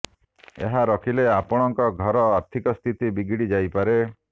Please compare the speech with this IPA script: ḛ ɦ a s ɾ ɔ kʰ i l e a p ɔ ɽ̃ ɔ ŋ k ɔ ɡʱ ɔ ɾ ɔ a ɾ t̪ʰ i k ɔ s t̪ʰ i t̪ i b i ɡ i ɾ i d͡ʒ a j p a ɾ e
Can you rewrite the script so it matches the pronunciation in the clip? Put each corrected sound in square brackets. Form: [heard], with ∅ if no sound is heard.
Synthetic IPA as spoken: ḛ ɦ a [∅] ɾ ɔ kʰ i l e a p ɔ ɽ̃ ɔ ŋ k ɔ ɡʱ ɔ ɾ ɔ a ɾ t̪ʰ i k ɔ s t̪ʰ i t̪ i b i ɡ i [ɽ] i d͡ʒ a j p a ɾ e